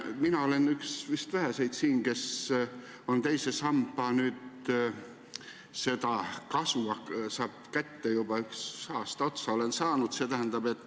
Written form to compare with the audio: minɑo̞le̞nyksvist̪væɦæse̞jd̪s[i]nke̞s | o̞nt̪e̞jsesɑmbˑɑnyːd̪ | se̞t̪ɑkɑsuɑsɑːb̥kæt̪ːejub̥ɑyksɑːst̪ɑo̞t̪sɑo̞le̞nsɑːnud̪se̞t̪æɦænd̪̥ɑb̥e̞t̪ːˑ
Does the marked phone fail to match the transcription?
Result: yes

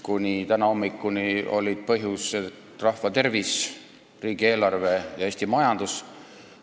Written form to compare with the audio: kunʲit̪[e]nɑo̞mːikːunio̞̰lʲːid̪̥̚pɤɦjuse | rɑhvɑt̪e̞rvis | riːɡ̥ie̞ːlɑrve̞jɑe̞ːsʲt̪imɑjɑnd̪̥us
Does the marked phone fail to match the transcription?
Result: yes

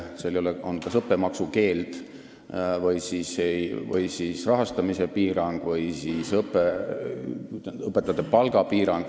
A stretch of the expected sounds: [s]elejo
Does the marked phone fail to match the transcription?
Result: no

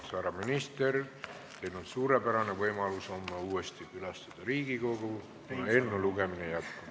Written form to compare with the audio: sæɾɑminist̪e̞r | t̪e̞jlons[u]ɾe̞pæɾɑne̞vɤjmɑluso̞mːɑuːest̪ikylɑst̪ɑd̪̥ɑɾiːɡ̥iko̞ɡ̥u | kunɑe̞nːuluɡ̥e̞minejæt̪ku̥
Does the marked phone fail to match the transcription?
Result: yes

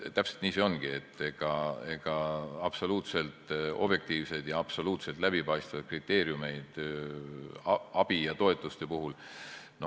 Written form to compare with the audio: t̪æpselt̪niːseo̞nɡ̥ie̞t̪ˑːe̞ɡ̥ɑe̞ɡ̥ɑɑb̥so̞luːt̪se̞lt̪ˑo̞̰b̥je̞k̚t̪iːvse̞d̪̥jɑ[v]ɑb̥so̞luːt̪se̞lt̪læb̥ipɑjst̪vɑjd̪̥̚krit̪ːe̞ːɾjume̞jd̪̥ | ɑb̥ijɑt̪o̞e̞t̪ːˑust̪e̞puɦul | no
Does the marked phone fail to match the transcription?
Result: yes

